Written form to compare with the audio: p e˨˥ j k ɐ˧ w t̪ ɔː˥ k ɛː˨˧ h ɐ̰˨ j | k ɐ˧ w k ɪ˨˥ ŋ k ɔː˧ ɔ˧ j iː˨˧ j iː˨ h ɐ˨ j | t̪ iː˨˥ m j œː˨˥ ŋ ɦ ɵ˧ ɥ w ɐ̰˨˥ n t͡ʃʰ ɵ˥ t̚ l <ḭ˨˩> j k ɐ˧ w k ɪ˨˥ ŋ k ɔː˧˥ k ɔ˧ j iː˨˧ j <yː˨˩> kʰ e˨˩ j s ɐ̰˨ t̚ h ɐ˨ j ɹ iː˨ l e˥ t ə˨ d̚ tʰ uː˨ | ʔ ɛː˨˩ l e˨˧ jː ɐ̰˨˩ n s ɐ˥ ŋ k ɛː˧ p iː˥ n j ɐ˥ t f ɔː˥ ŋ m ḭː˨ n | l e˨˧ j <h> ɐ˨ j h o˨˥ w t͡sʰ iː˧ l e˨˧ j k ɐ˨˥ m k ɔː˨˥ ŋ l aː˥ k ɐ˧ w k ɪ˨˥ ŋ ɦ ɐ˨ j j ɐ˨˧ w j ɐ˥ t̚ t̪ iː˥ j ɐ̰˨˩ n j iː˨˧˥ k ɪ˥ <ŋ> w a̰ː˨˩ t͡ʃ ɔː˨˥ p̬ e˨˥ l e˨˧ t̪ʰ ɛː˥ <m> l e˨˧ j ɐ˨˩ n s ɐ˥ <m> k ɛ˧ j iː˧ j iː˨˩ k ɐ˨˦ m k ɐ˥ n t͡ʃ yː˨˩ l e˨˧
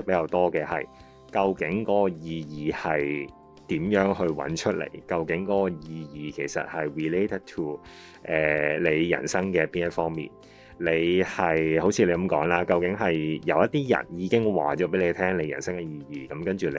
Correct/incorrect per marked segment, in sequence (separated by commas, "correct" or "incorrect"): incorrect, incorrect, correct, correct, incorrect, incorrect